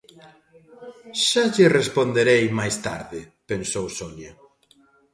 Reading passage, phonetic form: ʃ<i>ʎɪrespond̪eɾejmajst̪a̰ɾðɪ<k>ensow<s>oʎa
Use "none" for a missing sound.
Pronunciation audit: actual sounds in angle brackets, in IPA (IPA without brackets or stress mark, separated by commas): a, p, s